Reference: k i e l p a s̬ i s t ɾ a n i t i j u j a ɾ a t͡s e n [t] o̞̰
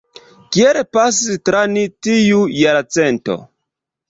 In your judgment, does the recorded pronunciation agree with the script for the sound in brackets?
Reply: yes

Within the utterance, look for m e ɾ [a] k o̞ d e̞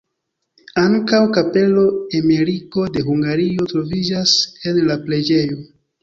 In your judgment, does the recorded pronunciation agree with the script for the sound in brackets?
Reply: no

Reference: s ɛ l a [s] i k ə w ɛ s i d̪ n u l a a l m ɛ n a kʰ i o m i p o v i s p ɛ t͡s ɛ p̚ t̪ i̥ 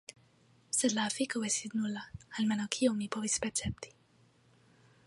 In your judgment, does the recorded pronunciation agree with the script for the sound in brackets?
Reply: no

